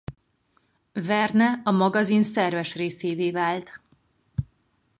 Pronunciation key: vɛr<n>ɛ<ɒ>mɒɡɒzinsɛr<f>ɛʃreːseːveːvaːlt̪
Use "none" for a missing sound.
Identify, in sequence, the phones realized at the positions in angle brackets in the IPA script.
n, ɒ, v

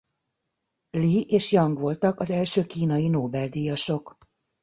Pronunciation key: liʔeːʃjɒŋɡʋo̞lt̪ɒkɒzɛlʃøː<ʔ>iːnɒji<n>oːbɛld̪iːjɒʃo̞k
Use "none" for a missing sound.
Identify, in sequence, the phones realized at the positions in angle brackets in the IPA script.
k, n

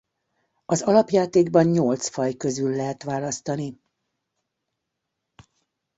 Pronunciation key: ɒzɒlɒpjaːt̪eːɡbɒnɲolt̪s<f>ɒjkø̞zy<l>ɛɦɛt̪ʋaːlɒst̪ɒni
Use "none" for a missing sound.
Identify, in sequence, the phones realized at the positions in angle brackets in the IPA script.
f, lː

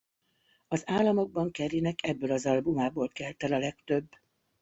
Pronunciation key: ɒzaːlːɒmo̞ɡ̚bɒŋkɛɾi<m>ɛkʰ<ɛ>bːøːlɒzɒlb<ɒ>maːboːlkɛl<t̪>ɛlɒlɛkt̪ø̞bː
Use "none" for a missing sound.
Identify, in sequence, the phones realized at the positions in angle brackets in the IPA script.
n, ɛ, u, t̪

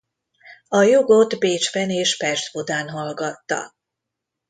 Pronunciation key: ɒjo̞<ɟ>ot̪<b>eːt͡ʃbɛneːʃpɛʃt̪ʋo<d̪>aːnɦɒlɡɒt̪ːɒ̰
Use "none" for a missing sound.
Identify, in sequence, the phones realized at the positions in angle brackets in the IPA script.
ɡ, b, d̪

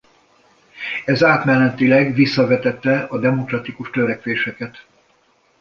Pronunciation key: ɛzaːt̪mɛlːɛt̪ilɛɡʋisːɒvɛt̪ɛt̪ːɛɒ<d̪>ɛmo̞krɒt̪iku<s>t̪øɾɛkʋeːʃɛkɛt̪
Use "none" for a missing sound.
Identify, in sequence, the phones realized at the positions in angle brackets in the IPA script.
d̪, ʃ

